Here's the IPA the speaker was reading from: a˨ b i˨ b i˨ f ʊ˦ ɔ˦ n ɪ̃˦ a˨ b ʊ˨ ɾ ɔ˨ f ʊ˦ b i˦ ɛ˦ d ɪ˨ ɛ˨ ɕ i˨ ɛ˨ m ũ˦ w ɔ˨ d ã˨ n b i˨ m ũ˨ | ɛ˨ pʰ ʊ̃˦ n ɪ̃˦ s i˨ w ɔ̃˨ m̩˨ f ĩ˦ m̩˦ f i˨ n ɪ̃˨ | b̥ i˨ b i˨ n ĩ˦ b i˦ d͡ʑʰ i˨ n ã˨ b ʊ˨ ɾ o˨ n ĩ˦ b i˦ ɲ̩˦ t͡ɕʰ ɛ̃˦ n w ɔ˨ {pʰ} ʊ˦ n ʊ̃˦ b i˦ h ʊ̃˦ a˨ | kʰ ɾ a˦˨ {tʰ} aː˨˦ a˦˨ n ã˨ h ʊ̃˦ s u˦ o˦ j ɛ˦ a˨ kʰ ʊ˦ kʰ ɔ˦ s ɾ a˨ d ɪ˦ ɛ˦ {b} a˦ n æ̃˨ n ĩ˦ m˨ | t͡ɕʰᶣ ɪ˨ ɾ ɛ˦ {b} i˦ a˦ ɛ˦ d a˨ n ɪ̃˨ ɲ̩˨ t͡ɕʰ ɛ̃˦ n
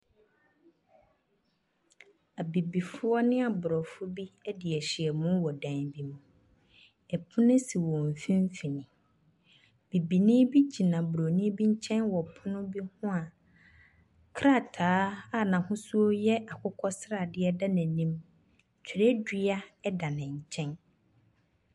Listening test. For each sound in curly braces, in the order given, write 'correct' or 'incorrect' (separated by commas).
correct, correct, incorrect, incorrect